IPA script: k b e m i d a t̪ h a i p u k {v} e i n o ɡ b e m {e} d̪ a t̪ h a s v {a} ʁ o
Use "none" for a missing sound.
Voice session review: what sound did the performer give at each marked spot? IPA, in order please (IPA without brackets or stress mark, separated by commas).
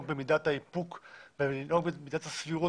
b, i, i